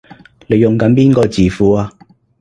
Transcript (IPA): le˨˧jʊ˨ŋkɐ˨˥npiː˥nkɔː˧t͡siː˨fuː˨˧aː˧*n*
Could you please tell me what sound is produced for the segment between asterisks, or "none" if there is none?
none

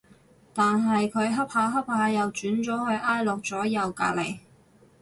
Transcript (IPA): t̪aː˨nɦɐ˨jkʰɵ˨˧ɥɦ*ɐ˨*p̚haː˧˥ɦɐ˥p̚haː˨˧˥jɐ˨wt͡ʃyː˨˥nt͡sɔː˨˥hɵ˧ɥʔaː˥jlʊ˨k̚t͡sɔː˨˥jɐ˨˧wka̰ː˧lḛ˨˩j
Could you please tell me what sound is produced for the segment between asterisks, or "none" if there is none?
ɐ˥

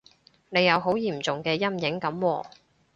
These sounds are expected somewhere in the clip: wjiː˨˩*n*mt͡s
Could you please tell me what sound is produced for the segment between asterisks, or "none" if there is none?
none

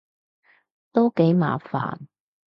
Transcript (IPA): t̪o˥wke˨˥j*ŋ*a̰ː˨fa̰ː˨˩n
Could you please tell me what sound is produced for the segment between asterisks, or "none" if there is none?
m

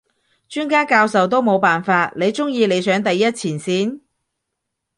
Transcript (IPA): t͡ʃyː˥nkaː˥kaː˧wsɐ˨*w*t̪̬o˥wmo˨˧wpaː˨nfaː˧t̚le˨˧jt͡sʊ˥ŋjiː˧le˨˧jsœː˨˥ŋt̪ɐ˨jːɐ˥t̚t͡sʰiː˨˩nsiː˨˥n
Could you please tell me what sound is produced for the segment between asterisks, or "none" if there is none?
w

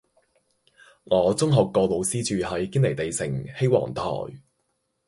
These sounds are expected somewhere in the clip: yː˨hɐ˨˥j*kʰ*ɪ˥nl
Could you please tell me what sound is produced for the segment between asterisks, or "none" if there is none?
k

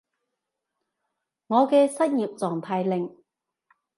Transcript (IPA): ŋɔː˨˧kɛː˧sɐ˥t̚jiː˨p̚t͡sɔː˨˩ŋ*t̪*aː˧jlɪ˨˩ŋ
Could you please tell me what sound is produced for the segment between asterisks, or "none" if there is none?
t̪ʰ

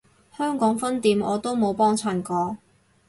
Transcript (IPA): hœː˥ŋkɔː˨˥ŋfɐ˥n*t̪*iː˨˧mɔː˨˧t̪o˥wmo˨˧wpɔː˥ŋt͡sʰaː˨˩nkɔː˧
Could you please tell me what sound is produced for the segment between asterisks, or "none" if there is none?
t̪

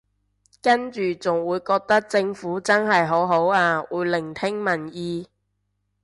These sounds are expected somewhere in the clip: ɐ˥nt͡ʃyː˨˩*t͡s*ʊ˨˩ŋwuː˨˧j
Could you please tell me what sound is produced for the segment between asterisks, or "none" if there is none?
t͡s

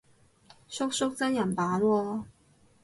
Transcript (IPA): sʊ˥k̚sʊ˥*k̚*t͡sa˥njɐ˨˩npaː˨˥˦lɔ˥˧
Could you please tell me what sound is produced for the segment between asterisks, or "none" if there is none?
k̚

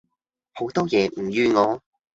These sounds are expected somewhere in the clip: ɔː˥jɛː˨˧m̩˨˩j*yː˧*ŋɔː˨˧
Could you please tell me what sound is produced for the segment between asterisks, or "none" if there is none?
yː˧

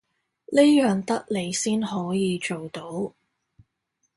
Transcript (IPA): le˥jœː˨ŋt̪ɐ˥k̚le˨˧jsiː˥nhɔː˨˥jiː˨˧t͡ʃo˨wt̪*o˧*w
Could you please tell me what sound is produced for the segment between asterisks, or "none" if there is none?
o˨˥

